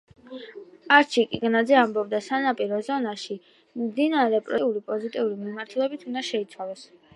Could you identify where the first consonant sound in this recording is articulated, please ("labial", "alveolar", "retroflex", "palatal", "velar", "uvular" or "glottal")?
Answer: alveolar